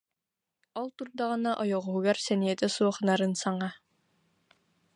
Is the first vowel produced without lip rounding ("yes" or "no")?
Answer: no